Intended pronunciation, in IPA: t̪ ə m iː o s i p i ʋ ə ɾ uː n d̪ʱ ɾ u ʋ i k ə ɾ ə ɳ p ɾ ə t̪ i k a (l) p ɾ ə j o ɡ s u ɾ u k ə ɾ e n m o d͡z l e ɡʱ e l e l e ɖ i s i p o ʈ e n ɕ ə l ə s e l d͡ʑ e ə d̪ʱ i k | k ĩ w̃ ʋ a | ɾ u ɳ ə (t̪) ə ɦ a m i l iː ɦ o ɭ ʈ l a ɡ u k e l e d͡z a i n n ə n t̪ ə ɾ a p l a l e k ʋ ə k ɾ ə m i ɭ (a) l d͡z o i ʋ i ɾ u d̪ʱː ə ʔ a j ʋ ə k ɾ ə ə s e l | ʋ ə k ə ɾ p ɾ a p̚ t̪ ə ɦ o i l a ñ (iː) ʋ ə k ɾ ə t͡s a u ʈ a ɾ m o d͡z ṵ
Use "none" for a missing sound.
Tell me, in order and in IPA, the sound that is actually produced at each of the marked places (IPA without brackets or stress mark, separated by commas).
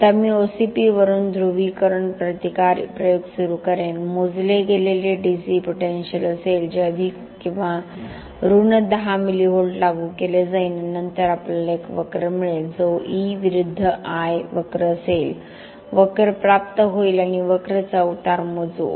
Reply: ɾ, d̪, e, i